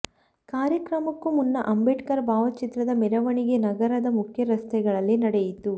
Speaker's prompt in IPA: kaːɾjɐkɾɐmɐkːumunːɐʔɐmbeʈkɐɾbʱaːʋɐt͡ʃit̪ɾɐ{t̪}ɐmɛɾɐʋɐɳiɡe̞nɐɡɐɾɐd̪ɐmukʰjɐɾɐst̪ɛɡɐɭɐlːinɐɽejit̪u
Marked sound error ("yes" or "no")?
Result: yes